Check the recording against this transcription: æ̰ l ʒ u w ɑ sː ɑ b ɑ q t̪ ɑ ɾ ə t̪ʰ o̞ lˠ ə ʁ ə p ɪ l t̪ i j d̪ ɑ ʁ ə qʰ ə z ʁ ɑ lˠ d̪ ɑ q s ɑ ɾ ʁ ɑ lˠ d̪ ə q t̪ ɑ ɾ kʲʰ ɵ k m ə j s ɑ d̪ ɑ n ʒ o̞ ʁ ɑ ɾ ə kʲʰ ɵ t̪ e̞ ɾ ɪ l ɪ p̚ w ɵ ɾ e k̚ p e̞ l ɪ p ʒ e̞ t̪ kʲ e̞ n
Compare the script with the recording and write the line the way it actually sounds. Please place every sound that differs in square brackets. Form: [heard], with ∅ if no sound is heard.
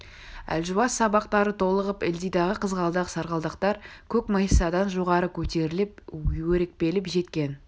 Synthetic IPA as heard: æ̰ l ʒ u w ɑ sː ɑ b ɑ q t̪ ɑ ɾ ə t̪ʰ o̞ lˠ ə ʁ ə p ɪ l [d̪] i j d̪ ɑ ʁ ə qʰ ə z ʁ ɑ lˠ d̪ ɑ q s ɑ ɾ ʁ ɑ lˠ d̪ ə q t̪ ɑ ɾ kʲʰ ɵ k m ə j s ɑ d̪ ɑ n ʒ o̞ ʁ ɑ ɾ ə kʲʰ ɵ t̪ e̞ ɾ ɪ l ɪ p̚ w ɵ ɾ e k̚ p e̞ l ɪ p ʒ e̞ t̪ kʲ e̞ n

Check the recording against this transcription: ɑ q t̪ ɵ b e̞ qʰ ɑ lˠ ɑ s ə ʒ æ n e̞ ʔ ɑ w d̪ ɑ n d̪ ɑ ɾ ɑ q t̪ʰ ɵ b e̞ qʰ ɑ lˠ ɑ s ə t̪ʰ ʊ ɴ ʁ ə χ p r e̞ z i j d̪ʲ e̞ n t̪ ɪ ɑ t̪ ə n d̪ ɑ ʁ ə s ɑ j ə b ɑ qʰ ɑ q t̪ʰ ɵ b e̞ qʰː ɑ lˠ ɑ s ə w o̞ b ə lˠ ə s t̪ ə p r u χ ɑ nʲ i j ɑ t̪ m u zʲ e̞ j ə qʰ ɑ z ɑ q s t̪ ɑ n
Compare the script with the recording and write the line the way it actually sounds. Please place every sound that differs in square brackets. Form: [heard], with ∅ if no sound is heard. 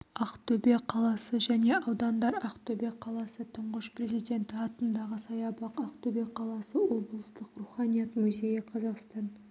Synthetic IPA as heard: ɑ q t̪ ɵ b e̞ qʰ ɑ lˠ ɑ s ə ʒ æ n e̞ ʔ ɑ w d̪ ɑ n d̪ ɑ ɾ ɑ q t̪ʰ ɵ b e̞ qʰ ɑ lˠ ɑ s ə t̪ʰ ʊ ɴ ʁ ə [ʃ] p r e̞ z i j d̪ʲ e̞ n t̪ ɪ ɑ t̪ ə n d̪ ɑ ʁ ə s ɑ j [ɑ] b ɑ [q] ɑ q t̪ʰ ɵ b e̞ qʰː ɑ lˠ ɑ s ə w o̞ b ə lˠ ə s t̪ ə [q] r u χ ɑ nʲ i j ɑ t̪ m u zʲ e̞ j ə qʰ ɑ z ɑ q s t̪ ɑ n

